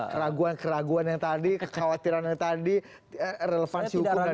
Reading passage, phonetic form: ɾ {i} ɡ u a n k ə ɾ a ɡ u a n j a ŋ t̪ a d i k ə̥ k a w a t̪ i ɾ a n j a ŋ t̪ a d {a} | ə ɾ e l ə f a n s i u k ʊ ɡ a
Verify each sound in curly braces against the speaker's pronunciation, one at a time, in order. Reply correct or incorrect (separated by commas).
incorrect, incorrect